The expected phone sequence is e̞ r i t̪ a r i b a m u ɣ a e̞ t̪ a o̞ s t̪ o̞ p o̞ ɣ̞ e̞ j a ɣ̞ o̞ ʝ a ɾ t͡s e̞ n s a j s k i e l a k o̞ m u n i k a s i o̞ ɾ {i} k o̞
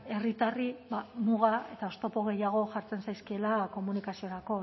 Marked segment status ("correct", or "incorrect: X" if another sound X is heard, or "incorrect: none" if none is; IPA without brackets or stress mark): incorrect: a